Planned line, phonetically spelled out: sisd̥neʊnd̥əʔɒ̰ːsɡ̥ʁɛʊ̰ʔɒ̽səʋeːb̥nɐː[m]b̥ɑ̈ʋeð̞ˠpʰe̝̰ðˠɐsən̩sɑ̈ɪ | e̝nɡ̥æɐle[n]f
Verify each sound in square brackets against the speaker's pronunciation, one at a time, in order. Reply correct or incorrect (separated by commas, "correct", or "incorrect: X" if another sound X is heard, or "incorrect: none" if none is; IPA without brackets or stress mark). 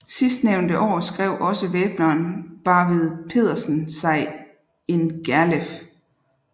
incorrect: n, incorrect: none